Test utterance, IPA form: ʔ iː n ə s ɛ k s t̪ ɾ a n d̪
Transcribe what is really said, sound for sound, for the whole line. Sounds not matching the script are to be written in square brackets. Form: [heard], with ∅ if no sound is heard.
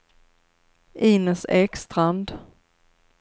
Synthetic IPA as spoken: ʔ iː n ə s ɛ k s t̪ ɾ a n d̪

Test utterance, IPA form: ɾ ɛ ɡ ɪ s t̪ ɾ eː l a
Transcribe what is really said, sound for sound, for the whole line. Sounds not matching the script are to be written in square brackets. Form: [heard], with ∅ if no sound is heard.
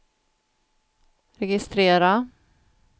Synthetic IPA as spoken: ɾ ɛ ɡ ɪ s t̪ ɾ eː [ɾ] a

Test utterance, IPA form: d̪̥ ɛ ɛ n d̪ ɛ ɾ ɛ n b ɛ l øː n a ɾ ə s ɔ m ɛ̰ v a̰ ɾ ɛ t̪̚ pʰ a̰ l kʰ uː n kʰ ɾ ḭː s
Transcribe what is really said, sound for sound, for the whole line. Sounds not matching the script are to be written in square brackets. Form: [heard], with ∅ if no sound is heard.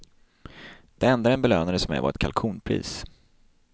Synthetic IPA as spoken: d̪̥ ɛ ɛ n d̪ [a] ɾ ɛ n b ɛ l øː n a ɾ ə s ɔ m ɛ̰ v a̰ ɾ ɛ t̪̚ [kʰ] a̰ l kʰ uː n [pʰ] ɾ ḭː s

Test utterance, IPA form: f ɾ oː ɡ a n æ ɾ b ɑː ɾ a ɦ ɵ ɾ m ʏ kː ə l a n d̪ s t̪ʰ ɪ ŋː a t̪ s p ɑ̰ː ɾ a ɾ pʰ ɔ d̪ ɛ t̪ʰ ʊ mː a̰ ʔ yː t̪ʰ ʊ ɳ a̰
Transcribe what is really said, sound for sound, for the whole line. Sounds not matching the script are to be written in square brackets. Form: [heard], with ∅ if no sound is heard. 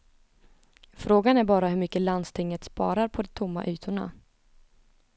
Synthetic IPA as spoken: f ɾ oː ɡ a n æ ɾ b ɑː ɾ a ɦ ɵ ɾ m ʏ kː ə l a n d̪ s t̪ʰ ɪ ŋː [ə] t̪ s p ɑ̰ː ɾ a ɾ pʰ ɔ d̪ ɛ t̪ʰ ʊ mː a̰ ʔ yː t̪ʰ ʊ ɳ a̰

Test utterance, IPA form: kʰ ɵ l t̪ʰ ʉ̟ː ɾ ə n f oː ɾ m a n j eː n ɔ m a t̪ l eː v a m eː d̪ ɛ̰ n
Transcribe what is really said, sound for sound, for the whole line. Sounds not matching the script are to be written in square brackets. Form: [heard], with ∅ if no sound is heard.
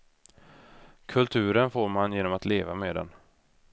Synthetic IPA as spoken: kʰ ɵ l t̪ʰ ʉ̟ː ɾ ə n f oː ɾ m a n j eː n ɔ m a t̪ l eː v a m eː d̪ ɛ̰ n

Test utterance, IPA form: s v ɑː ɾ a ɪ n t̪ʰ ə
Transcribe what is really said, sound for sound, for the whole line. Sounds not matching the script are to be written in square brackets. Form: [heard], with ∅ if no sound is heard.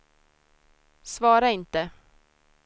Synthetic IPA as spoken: s v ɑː ɾ a ɪ n [t̪] ə

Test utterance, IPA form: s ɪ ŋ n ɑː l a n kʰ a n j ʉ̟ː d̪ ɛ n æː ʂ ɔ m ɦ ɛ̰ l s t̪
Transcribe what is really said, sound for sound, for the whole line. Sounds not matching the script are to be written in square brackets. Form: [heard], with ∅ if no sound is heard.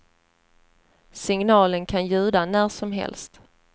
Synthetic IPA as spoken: s ɪ ŋ n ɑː l [ə] n kʰ a n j ʉ̟ː d̪ [a] n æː ʂ ɔ m ɦ ɛ̰ l s t̪

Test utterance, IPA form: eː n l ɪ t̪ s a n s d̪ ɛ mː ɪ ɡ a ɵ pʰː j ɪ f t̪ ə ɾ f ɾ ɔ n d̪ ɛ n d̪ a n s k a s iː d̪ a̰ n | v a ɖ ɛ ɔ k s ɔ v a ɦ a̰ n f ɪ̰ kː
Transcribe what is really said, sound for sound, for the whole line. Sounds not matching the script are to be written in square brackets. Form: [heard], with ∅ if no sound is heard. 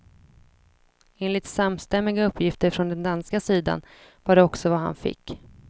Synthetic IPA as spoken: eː n l ɪ t̪ s a [m] s [t̪] ɛ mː ɪ ɡ a ɵ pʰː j ɪ f t̪ ə ɾ f ɾ ɔ n d̪ ɛ n d̪ a n s k a s iː d̪ a̰ n | v a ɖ ɛ ɔ k s ɔ v a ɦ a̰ n f ɪ̰ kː

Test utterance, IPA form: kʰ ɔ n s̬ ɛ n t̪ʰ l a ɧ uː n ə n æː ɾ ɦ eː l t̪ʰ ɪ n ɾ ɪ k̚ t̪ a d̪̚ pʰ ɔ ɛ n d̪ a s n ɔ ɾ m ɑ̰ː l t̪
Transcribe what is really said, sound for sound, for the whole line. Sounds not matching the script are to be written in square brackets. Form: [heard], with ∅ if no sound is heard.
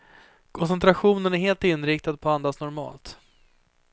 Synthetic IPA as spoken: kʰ ɔ n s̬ ɛ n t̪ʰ [ɾ] a ɧ uː n ə n [æ] ɾ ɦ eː l [t̪] ɪ n ɾ ɪ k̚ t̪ a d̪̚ pʰ ɔ [a] n d̪ a s n ɔ ɾ m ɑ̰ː l t̪

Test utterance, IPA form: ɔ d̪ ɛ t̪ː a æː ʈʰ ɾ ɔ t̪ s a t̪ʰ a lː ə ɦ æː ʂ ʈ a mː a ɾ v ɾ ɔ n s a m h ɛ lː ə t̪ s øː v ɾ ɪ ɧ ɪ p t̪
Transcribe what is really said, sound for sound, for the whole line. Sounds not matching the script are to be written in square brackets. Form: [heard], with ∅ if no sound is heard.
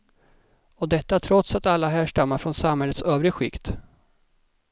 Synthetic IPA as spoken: ɔ d̪ ɛ t̪ː a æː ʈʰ ɾ ɔ t̪ s a [t̪] a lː [a] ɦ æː ʂ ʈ a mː a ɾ [f] ɾ ɔ n s a m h ɛ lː ə t̪ s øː v ɾ ɪ ɧ ɪ [k] t̪

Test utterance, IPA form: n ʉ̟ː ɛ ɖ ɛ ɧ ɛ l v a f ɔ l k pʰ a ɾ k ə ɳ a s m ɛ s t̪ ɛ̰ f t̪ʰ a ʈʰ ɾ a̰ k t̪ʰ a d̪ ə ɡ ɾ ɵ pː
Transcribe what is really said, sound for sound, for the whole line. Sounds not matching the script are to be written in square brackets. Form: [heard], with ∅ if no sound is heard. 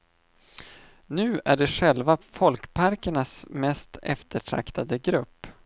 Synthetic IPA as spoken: n ʉ̟ː [æ] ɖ ɛ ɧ ɛ l v a f ɔ l k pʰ a ɾ k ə ɳ a s m ɛ s t̪ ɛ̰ f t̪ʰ [ə] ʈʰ ɾ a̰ k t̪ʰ a d̪ ə ɡ ɾ ɵ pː

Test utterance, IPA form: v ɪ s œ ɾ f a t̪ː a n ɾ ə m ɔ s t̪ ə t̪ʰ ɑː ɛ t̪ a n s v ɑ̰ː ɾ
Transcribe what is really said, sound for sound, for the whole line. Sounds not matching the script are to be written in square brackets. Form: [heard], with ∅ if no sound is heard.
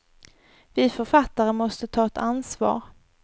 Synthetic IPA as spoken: v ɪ [f] œ ɾ f a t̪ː a [∅] ɾ ə m ɔ s t̪ ə t̪ʰ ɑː ɛ t̪ a n s v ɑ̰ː ɾ

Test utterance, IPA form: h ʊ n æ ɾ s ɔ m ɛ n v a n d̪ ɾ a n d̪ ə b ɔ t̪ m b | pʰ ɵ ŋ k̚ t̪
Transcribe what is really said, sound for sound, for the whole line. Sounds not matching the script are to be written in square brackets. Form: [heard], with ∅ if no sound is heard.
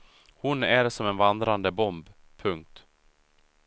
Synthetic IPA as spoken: h ʊ n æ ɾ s ɔ m ɛ n v a n d̪ ɾ a n d̪ ə b ɔ [∅] m b | pʰ ɵ ŋ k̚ t̪

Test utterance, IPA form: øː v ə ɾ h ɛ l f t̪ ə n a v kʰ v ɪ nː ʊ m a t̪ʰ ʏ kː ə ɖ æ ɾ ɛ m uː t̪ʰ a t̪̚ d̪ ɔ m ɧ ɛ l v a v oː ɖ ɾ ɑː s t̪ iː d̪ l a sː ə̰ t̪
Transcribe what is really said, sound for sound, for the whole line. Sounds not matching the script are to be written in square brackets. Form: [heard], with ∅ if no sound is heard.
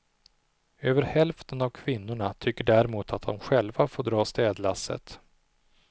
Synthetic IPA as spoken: øː v ə ɾ h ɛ l f t̪ ə n a v kʰ v ɪ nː ʊ [ɳ] a t̪ʰ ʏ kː ə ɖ æ ɾ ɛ m uː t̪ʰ a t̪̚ d̪ ɔ m ɧ ɛ l v a [f] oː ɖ ɾ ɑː s t̪ [ɛː] d̪ l a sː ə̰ t̪

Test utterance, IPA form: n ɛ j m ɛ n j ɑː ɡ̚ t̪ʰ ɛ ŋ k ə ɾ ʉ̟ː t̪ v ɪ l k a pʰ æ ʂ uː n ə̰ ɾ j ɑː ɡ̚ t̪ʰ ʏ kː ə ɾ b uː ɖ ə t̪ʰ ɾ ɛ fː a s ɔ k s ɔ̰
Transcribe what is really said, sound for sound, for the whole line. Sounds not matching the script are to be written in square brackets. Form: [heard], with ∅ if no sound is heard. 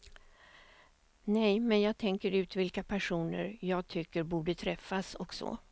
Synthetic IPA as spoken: n ɛ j m ɛ n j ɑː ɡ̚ t̪ʰ ɛ ŋ k ə ɾ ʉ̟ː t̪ v ɪ l k a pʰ æ ʂ uː n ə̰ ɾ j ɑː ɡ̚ t̪ʰ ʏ kː ə ɾ b uː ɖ ə t̪ʰ ɾ ɛ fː a s ɔ k s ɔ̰

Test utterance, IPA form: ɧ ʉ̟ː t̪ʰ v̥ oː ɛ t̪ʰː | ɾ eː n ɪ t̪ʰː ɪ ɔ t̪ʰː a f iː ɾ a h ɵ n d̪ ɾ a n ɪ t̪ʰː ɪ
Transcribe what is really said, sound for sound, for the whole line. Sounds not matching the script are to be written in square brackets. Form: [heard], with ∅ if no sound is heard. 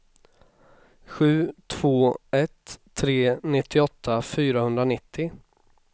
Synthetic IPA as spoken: ɧ ʉ̟ː t̪ʰ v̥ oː ɛ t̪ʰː | ɾ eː n ɪ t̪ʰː ɪ ɔ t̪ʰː a f [yː] ɾ a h ɵ n d̪ ɾ a n ɪ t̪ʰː ɪ

